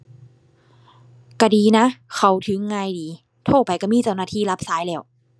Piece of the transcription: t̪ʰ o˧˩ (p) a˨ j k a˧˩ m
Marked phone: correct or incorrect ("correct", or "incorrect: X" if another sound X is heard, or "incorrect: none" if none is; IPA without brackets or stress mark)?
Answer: correct